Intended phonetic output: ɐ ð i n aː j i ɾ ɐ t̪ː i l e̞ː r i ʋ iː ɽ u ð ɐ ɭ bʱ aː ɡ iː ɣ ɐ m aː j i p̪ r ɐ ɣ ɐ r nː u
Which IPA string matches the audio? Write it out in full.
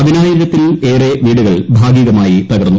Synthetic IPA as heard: ɐ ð i n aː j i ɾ ɐ t̪ː i l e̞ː r e ʋ iː ɽ u ɣ ɐ ɭ bʱ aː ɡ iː ɣ ɐ m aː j i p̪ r ɐ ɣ ɐ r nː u